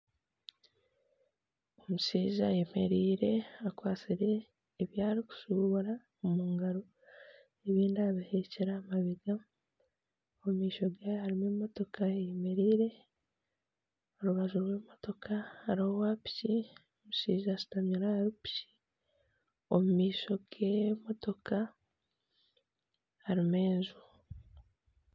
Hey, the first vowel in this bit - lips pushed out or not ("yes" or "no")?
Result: yes